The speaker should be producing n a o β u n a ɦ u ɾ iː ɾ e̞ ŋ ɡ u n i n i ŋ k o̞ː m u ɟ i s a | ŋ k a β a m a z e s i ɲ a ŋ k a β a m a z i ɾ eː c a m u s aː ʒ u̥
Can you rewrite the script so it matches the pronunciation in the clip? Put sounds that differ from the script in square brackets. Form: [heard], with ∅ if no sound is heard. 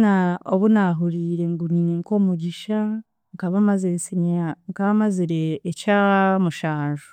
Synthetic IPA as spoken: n a o β u n a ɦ u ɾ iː ɾ e̞ ŋ ɡ u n i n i ŋ k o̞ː m u ɟ i [ʃ] a | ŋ k a β a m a z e s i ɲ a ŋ k a β a m a z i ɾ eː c a m u [ʃ] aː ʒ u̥